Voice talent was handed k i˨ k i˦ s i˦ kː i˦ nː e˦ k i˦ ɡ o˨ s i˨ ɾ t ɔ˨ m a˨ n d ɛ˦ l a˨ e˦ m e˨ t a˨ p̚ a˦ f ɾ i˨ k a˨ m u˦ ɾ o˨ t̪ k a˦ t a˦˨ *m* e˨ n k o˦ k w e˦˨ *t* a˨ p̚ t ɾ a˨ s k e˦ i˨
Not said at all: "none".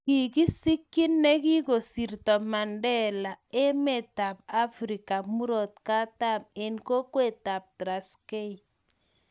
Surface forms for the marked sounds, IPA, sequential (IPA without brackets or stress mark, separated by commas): m, t